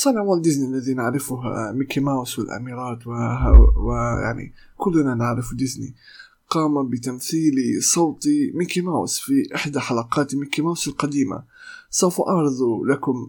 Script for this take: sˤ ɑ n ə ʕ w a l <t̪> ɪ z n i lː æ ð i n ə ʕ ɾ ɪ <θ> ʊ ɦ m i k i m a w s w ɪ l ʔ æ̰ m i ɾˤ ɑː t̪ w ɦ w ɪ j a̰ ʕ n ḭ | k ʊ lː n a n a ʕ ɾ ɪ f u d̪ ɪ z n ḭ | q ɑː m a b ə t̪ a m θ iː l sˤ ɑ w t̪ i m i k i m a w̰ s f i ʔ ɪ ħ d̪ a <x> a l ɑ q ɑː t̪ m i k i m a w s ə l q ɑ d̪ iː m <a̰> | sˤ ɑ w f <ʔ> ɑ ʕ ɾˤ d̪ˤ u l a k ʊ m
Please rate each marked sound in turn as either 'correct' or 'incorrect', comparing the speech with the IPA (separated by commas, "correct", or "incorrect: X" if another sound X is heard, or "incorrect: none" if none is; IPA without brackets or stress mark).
incorrect: d̪, incorrect: f, incorrect: ħ, correct, correct